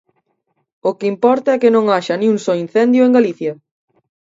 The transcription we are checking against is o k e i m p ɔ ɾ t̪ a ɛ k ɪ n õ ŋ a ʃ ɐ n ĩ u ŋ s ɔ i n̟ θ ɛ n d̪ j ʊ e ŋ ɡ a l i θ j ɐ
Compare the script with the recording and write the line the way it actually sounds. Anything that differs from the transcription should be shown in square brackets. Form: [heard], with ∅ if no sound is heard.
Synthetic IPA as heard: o k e i m p ɔ ɾ t̪ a ɛ k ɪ n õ ŋ a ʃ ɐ n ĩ u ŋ s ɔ i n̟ θ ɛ n d̪ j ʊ e ŋ ɡ a l i θ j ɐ